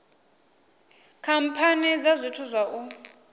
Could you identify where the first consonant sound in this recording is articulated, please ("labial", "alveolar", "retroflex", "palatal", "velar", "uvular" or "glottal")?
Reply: velar